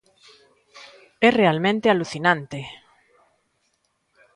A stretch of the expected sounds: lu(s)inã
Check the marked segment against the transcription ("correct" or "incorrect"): incorrect